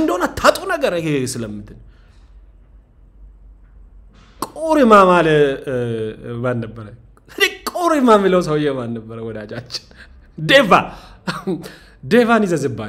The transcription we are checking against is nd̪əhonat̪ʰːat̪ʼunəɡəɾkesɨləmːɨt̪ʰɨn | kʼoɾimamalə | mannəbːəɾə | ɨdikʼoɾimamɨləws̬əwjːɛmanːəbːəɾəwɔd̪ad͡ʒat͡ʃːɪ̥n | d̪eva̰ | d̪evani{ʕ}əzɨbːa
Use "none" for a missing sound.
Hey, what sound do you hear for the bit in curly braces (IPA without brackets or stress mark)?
z